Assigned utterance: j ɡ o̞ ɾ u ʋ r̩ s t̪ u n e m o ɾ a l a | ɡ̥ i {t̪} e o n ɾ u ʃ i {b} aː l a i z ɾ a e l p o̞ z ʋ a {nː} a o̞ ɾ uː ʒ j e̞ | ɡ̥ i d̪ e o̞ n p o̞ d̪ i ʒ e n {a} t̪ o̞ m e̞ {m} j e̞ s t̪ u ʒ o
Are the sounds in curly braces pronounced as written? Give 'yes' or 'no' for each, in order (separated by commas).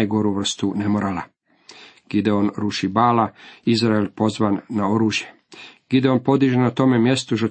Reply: no, yes, yes, yes, yes